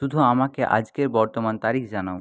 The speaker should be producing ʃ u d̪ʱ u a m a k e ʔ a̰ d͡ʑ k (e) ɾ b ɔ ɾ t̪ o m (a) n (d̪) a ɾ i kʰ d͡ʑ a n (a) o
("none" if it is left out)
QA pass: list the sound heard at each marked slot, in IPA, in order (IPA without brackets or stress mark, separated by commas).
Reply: e, a, t̪, a